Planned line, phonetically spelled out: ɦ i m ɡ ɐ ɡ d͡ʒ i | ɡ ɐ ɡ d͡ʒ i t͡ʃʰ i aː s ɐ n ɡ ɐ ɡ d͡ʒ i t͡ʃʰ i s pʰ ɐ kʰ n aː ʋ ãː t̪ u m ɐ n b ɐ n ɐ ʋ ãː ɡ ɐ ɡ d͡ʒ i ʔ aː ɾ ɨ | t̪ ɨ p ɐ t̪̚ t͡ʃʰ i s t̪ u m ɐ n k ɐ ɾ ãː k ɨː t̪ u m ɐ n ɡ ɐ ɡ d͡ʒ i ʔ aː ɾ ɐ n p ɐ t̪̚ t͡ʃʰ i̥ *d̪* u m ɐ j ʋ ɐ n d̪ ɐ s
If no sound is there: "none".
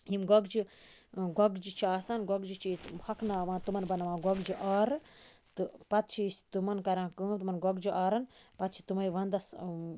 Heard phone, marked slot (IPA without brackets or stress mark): t̪